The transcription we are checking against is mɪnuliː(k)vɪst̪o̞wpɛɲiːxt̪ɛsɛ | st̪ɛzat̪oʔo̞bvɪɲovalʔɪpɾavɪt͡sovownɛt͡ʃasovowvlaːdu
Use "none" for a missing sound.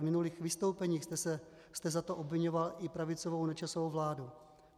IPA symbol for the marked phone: x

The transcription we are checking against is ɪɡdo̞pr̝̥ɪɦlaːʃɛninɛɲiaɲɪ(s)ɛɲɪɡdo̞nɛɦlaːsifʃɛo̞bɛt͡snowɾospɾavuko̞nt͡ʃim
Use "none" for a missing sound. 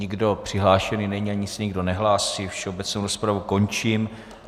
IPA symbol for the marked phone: s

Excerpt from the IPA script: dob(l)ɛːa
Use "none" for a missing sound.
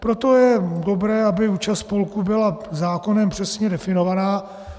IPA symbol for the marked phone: ɾ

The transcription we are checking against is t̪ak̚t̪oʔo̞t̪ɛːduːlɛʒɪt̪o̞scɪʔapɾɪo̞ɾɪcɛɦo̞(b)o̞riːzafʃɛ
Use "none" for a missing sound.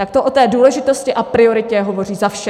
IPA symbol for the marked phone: v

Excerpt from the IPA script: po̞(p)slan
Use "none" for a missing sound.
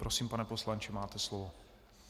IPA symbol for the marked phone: none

